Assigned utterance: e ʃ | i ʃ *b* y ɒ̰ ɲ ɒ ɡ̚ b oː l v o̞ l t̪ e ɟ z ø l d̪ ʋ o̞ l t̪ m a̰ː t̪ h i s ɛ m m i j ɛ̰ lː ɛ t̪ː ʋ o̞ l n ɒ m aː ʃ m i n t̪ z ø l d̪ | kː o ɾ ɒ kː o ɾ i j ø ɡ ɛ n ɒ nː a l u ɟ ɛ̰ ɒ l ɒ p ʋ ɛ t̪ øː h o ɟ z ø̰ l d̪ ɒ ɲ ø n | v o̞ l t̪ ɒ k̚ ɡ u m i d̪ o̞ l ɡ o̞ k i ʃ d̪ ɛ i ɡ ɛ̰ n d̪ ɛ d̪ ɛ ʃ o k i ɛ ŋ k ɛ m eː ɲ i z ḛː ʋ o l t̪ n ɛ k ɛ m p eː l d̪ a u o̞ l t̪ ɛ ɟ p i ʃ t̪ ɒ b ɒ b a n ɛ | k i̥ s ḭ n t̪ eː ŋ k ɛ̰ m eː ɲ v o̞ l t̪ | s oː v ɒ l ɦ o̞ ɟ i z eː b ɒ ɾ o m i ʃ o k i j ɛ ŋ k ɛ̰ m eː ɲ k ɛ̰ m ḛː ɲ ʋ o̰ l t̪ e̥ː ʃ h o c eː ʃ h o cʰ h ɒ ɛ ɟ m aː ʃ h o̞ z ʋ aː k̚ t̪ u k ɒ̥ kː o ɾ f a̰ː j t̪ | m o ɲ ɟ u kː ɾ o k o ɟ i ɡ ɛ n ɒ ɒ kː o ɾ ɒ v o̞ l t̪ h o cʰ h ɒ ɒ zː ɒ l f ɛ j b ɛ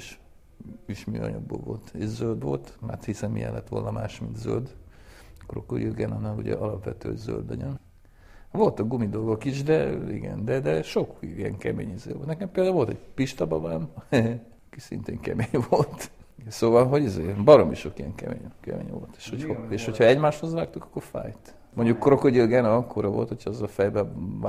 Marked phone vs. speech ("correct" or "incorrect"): incorrect